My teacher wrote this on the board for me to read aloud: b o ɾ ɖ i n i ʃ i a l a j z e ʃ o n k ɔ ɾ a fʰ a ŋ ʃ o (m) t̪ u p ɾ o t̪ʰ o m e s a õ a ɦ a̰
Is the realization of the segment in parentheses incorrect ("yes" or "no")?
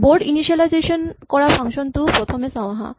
yes